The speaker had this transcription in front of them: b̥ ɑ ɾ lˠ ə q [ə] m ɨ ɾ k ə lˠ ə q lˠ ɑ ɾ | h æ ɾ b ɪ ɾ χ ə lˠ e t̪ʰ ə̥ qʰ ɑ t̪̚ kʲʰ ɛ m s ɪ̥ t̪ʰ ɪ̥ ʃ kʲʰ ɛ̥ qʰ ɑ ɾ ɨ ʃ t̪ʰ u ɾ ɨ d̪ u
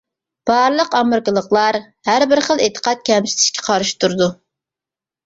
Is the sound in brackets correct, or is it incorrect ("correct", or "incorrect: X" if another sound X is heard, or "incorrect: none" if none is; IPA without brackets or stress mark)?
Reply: incorrect: ɑ